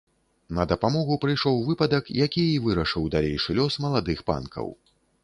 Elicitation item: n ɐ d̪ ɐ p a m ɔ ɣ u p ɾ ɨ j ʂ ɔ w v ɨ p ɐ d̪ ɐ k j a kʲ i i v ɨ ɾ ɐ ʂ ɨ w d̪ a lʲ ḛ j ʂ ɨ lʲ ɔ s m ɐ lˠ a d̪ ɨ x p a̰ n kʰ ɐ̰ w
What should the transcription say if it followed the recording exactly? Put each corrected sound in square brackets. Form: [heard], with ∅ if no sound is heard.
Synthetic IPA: n ɐ d̪ ɐ p a m ɔ ɣ u p ɾ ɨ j ʂ ɔ w v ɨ p ɐ d̪ ɐ k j a kʲ i i v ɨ ɾ ɐ ʂ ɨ w d̪ a lʲ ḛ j ʂ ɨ lʲ ɔ s m ɐ lˠ a d̪ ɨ x p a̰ n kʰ ɐ̰ w